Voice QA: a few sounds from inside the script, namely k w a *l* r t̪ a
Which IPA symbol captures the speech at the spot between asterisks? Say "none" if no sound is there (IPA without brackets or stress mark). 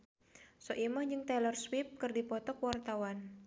none